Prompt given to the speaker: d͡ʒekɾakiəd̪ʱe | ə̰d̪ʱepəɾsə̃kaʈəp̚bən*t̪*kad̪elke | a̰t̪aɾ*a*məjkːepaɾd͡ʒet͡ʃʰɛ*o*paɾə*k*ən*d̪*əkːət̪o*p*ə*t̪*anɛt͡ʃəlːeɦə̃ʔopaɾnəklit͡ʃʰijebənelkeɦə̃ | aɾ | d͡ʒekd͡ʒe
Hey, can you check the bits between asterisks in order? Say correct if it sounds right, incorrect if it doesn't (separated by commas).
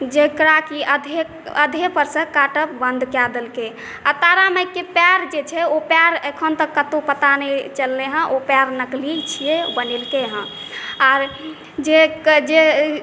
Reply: incorrect, correct, correct, incorrect, incorrect, correct, correct